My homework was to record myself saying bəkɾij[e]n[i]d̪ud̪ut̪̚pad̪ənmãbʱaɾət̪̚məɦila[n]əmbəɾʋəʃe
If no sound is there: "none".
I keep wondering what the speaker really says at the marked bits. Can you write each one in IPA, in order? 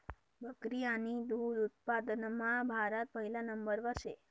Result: a, i, n

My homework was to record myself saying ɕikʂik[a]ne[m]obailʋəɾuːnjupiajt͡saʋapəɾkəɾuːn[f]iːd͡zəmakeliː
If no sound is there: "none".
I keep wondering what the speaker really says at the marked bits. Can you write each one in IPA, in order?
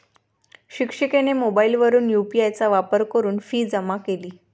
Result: e, m, f

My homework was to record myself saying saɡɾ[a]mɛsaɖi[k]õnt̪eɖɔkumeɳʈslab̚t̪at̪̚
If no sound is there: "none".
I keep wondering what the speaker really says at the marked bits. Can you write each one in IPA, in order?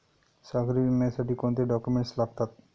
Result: i, k

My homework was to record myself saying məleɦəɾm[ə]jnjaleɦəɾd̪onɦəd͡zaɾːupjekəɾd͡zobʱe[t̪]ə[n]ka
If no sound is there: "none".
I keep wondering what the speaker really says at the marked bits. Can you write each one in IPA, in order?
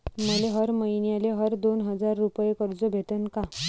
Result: ə, t̪, n

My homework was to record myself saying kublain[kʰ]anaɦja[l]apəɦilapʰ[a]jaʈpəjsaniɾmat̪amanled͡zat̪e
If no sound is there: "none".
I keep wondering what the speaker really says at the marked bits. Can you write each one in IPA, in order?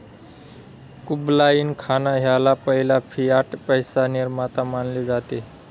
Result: kʰ, l, i

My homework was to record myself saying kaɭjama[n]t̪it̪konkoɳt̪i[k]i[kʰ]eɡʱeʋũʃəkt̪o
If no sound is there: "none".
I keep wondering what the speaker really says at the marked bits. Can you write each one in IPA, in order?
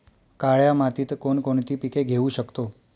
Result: none, p, k

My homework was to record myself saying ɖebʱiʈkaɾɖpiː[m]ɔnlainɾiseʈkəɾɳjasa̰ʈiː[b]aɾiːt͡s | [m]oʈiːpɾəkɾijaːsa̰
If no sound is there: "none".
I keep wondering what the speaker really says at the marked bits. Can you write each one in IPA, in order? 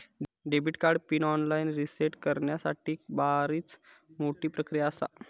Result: n, b, m

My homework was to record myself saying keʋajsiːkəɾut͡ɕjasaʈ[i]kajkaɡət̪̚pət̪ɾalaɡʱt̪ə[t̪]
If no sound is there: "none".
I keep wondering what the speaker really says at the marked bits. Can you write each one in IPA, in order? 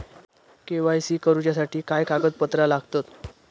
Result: iː, t̪

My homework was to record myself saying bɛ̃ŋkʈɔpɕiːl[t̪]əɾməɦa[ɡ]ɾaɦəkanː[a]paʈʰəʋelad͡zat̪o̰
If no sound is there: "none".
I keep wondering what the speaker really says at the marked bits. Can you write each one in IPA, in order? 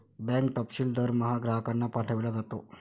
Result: d̪, ɡ, a

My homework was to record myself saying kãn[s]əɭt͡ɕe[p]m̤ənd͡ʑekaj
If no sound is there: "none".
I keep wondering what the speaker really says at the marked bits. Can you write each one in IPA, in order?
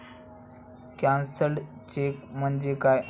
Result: s, k

